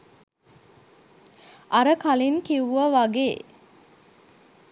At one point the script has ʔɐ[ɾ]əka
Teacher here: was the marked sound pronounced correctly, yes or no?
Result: yes